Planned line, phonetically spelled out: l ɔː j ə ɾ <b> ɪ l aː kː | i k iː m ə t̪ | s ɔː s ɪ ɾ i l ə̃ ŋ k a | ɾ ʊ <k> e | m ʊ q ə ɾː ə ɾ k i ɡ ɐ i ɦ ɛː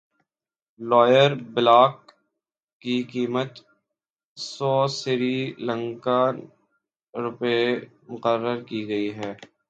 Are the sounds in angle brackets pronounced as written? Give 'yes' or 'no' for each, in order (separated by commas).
yes, no